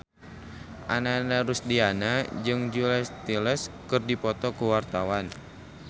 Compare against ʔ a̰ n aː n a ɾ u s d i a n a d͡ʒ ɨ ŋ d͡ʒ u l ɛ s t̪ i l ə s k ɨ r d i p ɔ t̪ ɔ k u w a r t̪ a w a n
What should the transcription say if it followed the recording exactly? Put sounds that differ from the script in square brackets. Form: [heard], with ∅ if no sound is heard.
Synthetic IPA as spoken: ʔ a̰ n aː n a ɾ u s d i a n a d͡ʒ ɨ ŋ d͡ʒ u l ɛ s t̪ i l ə s k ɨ r d i p ɔ t̪ ɔ k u w a r t̪ a w a n